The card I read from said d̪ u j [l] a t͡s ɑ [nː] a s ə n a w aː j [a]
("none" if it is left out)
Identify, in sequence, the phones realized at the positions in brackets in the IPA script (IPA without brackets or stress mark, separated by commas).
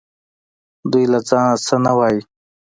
l, n, i